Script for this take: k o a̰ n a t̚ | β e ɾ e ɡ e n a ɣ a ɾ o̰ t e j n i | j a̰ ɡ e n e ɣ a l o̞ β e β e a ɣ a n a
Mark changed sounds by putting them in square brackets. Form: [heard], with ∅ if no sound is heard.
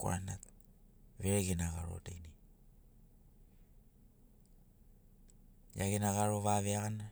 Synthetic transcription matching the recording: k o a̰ n a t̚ | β e ɾ e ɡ e n a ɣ a ɾ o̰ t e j n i | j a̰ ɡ e n [a] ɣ a [ɾ] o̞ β [a] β e a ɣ a n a